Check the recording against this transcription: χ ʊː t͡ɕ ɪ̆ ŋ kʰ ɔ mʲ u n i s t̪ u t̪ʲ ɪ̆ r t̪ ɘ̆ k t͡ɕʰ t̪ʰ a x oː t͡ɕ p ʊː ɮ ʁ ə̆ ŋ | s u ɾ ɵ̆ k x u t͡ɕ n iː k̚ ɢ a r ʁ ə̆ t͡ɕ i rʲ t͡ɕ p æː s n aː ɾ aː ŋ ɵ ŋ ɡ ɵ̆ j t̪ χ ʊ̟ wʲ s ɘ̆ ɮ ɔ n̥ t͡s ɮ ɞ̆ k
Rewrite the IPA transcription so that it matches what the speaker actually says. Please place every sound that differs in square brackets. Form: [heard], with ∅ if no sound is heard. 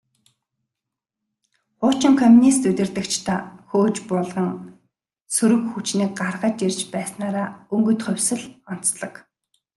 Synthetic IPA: χ ʊː t͡ɕ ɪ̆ ŋ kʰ ɔ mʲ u n i s t̪ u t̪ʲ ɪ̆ r t̪ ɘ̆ k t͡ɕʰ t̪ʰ a x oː t͡ɕ p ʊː ɮ ʁ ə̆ ŋ | s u ɾ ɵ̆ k x u t͡ɕ n iː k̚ ɢ a r ʁ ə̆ t͡ɕ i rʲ t͡ɕ p æː s n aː ɾ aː [∅] ɵ ŋ ɡ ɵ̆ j t̪ χ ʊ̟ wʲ s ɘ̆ ɮ ɔ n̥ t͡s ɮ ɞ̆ k